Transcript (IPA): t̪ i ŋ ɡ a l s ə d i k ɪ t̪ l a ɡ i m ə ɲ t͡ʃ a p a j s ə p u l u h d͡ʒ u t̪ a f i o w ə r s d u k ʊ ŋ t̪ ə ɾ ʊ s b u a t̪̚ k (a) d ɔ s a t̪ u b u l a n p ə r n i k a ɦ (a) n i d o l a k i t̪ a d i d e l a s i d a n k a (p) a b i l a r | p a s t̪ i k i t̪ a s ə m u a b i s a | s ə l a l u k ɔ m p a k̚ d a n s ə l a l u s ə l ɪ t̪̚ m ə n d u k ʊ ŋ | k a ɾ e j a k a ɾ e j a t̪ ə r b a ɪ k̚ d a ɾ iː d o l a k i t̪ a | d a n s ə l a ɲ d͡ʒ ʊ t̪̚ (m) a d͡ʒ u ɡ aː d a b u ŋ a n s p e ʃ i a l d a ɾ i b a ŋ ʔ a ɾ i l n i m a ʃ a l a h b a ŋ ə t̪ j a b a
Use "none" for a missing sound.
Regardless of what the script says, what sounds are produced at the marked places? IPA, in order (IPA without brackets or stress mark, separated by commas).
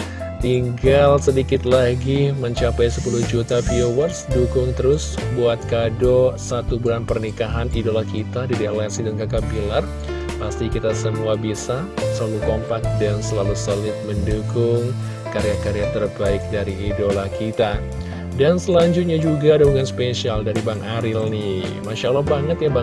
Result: a, a, k, ɲ